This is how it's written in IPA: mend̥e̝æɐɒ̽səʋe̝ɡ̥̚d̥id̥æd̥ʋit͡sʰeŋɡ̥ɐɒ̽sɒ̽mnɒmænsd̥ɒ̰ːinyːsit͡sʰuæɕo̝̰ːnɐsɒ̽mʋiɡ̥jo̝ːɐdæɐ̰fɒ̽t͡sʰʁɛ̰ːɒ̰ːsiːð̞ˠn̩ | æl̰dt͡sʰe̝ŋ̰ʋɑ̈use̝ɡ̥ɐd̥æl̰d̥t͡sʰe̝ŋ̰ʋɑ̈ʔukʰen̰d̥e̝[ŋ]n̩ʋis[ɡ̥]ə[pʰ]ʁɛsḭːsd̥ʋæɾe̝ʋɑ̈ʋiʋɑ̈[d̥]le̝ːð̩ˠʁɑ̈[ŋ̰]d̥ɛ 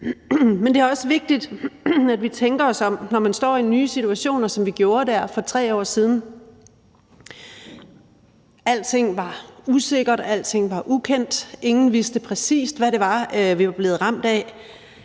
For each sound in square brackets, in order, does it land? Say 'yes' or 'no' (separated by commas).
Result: yes, no, yes, no, no